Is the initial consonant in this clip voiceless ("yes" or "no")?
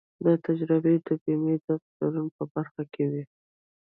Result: no